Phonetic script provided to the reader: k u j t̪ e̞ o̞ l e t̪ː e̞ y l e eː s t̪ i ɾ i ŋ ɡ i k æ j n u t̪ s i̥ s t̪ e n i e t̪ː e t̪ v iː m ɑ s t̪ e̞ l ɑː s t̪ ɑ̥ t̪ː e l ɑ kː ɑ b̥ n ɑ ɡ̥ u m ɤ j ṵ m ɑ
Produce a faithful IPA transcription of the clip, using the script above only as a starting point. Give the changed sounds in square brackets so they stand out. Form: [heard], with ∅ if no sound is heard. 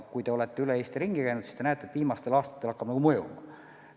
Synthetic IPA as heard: k u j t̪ e̞ o̞ l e t̪ː e̞ y l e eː s t̪ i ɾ i ŋ ɡ i k æ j n u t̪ s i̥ s t̪ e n [æ] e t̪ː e t̪ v iː m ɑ s t̪ e̞ l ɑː s t̪ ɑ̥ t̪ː e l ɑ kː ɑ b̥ n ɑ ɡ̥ u m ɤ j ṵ m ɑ